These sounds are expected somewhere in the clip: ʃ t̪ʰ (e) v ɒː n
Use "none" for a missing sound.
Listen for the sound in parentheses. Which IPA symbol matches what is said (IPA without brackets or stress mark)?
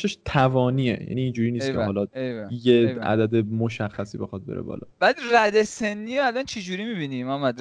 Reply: æ